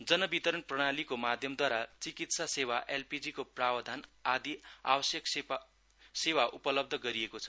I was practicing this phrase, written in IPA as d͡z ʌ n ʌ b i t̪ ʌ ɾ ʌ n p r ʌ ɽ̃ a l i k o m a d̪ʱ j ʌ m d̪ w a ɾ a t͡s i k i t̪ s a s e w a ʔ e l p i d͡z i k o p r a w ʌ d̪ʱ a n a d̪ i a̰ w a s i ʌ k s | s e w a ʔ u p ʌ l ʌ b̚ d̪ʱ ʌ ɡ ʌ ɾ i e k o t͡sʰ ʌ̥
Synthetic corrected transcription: d͡z ʌ n ʌ b i t̪ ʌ ɾ ʌ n p r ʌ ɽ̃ a l i k o m a d̪ʱ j ʌ m d̪ w a ɾ a t͡s i k i t̪ s a s e w a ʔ e l p i d͡z i k o p r a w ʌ d̪ʱ a n a d̪ i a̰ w ʌ s j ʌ k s | s e w a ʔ u p ʌ l ʌ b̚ d̪ʱ ʌ ɡ ʌ ɾ i e k o t͡sʰ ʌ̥